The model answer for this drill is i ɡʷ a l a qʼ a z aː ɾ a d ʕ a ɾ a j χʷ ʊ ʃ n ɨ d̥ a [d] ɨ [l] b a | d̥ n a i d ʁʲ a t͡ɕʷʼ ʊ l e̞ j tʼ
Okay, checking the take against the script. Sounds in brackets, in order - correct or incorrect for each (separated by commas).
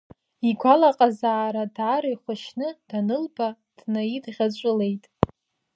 incorrect, correct